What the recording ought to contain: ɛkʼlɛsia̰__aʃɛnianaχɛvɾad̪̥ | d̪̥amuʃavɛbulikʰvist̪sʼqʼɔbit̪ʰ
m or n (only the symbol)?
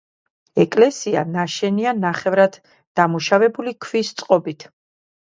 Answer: n